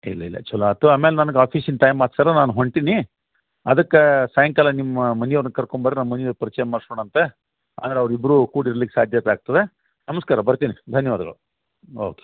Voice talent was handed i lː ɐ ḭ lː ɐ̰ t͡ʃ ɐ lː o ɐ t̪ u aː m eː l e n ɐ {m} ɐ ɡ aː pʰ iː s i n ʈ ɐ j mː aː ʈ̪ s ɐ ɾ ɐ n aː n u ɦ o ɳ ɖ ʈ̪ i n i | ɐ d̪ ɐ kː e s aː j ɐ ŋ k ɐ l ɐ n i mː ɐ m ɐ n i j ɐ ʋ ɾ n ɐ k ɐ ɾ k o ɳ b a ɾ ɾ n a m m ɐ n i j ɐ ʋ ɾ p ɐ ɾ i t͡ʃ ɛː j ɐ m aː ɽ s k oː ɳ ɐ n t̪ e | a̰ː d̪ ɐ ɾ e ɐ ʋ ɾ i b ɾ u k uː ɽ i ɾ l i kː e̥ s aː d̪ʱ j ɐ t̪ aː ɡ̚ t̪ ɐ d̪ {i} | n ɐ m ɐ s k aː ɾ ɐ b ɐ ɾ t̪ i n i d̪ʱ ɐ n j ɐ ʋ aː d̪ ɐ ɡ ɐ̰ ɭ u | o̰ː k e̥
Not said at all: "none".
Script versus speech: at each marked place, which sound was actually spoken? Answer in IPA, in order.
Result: n, e

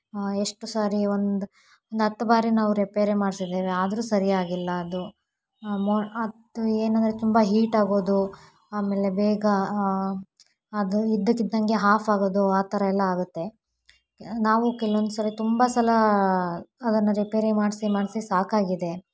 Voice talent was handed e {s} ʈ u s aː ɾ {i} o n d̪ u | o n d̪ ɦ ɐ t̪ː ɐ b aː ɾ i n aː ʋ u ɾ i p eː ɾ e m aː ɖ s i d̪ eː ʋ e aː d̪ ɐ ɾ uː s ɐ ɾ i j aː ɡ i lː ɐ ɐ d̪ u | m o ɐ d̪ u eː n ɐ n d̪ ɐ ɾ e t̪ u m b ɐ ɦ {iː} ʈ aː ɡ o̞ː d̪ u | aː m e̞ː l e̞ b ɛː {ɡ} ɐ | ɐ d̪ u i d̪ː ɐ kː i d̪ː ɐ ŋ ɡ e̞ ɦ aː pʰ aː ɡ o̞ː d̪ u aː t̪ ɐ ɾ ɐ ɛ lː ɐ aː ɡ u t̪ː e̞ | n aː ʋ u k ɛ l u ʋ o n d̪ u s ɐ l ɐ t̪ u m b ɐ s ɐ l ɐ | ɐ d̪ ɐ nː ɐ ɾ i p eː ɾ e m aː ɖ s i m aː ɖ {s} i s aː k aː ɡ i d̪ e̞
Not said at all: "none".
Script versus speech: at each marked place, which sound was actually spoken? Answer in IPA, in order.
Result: ʂ, i, iː, ɡ, s

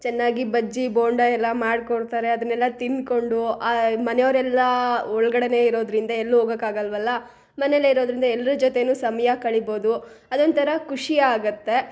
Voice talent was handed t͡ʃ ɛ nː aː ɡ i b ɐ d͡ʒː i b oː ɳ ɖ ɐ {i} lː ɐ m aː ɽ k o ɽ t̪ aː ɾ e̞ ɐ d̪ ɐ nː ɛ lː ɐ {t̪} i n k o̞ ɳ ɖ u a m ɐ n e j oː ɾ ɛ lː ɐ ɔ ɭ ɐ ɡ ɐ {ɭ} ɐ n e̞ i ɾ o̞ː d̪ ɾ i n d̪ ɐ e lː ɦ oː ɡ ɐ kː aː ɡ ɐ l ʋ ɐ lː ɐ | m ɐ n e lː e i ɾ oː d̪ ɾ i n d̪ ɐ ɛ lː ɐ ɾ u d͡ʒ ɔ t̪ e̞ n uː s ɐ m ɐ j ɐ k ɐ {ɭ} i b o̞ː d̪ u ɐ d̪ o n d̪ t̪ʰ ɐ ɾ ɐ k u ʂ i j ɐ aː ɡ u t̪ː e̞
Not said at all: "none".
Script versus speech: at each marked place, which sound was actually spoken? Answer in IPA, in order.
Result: ɛ, t̪, ɽ, ɭ

